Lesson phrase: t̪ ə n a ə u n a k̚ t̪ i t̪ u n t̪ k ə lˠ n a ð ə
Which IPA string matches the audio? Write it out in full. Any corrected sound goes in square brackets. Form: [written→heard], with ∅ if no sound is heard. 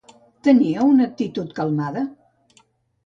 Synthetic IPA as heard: t̪ ə n [a→i] ə u n [a→ə] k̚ t̪ i t̪ u [n→∅] t̪ k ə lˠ [n→m] a ð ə